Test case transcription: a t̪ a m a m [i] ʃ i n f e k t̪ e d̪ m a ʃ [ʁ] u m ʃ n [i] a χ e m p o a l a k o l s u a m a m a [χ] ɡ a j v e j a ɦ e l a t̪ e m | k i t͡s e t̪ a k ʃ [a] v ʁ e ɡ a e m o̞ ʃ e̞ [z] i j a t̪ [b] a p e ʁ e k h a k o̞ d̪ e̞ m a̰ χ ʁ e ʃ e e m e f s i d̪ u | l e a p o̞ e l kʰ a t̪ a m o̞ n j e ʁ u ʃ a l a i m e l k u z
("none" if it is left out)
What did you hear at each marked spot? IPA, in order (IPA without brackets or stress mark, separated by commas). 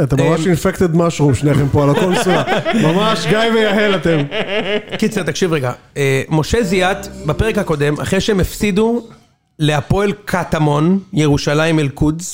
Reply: a, ʁ, e, ʃ, i, z, b